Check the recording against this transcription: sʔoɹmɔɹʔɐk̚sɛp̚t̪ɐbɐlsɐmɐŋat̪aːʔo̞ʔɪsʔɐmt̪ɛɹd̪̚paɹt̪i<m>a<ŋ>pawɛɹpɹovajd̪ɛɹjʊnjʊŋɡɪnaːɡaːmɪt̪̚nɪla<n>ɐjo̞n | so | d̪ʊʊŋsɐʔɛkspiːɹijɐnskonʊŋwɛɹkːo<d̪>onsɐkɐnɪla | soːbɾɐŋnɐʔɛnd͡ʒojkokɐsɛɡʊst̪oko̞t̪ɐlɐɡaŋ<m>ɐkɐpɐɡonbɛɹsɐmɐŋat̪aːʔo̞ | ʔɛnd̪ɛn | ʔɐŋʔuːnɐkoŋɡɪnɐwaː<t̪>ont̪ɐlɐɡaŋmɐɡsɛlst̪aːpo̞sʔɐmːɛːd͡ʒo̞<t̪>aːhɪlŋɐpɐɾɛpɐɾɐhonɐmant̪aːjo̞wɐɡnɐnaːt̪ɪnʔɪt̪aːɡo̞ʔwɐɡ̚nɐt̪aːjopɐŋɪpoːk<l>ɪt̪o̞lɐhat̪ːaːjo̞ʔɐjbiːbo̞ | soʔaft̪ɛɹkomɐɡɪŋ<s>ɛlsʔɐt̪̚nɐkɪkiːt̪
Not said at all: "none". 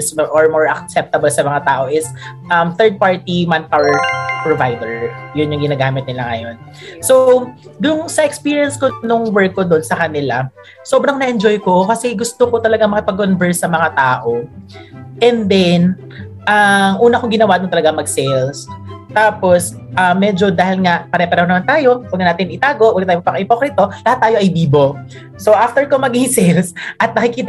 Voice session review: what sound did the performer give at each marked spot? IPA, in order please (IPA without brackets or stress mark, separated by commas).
m, n, ŋ, d̪, m, d̪, d̪, ɾ, s